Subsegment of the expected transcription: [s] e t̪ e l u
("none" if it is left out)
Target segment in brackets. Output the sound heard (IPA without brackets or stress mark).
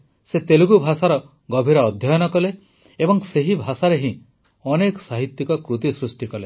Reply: s